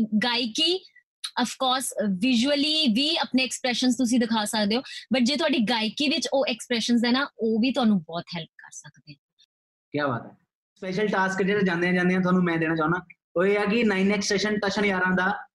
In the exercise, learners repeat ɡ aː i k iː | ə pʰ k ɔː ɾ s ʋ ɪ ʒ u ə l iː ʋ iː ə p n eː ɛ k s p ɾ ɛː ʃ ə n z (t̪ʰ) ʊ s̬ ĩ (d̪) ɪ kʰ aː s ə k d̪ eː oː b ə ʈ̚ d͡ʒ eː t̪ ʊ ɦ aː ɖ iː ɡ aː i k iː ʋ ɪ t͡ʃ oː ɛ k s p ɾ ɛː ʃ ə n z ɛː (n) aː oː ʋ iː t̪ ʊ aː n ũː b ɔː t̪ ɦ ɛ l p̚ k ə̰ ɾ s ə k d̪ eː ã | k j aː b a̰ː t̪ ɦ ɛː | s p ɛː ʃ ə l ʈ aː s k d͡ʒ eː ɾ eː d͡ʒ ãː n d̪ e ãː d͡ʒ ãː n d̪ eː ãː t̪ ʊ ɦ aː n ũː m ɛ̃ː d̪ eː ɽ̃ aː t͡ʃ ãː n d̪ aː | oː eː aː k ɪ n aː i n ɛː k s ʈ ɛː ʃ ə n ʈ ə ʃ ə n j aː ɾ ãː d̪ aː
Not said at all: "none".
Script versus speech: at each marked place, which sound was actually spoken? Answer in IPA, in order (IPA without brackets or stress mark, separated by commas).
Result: t̪, d̪, n